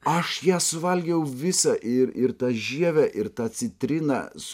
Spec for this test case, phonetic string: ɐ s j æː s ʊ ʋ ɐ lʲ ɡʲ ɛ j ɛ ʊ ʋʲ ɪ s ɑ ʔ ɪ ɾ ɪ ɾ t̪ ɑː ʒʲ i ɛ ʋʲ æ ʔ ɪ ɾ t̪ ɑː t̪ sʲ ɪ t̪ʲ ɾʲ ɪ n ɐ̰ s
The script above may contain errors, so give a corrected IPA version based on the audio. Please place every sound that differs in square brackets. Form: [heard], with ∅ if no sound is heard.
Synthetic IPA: ɐ [ʃ] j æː s ʊ ʋ ɐ lʲ ɡʲ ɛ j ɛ ʊ ʋʲ ɪ s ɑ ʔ ɪ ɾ ɪ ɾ t̪ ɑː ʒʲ i ɛ ʋʲ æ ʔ ɪ ɾ t̪ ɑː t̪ sʲ ɪ t̪ʲ ɾʲ ɪ n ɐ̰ s